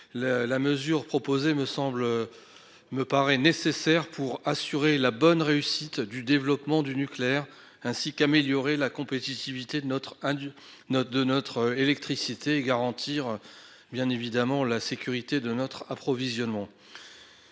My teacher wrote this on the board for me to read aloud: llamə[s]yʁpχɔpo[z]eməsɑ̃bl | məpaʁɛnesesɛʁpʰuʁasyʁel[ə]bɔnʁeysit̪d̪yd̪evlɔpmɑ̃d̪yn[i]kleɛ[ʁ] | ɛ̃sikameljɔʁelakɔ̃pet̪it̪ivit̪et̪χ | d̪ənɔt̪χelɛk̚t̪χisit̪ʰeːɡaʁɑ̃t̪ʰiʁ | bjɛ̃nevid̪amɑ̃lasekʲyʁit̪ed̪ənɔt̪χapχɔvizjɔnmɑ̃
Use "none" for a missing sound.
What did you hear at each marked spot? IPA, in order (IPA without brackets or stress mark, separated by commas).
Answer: z, z, a, y, ʁ